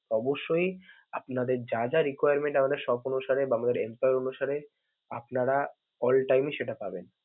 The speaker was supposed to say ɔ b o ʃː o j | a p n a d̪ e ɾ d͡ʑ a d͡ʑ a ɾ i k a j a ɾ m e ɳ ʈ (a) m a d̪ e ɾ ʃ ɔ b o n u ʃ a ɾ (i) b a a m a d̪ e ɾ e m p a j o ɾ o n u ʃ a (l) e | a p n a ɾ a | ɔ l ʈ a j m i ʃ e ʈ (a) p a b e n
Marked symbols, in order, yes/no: yes, no, no, yes

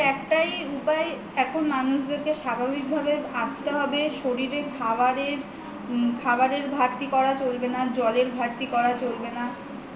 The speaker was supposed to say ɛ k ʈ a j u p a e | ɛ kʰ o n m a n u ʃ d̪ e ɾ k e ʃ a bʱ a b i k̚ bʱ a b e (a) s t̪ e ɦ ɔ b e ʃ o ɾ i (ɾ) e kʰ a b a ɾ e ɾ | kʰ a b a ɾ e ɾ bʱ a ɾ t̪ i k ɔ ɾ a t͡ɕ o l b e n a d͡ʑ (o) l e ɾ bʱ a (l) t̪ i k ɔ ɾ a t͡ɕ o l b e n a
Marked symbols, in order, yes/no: yes, yes, no, no

